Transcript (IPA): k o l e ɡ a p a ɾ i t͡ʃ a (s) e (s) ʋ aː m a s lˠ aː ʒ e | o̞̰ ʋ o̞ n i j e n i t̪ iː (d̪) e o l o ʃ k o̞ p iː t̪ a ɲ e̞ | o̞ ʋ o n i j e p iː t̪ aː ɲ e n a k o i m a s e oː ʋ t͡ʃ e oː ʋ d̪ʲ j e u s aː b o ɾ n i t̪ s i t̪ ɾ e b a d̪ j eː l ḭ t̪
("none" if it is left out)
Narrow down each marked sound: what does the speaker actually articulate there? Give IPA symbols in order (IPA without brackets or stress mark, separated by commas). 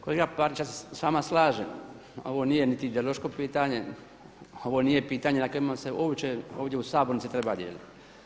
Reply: s, s, d̪